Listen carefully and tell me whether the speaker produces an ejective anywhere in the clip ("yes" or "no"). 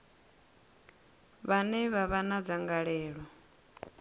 no